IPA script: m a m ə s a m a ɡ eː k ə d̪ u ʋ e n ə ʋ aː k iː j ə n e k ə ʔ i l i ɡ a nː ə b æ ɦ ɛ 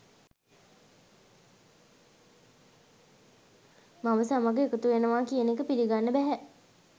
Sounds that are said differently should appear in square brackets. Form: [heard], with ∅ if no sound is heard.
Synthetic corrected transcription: m a m ə s a m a ɡ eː k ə [t̪] u ʋ e n ə ʋ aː k [i] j ə n e k ə [p] i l i ɡ a nː ə b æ ɦ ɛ